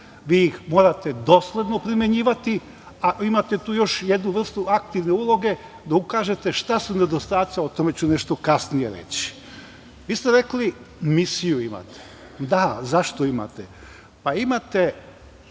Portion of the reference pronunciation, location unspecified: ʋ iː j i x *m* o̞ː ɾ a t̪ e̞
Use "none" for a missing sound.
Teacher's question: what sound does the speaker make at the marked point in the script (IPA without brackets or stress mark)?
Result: m